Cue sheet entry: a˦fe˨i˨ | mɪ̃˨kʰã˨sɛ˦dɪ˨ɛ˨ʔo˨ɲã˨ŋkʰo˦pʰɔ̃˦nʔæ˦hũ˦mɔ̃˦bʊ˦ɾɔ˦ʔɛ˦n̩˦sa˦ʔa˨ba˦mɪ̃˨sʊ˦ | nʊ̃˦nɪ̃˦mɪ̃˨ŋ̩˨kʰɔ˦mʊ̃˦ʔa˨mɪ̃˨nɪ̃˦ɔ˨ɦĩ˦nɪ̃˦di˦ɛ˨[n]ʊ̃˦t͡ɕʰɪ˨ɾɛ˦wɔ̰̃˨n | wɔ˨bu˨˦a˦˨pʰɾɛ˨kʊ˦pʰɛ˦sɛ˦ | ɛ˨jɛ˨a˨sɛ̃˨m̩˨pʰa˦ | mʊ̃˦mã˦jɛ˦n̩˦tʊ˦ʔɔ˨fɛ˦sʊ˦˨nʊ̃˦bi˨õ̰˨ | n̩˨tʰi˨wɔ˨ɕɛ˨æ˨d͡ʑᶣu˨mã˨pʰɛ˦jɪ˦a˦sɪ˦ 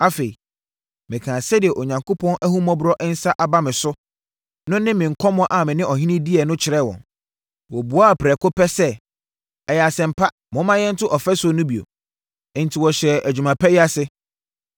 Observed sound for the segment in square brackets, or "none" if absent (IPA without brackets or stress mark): n